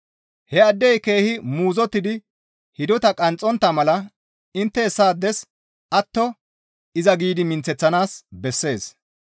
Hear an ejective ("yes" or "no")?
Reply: yes